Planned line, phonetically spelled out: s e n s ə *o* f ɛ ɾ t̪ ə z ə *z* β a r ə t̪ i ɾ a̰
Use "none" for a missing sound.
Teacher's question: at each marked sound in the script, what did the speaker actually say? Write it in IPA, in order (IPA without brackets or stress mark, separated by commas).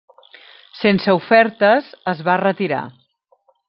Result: u, z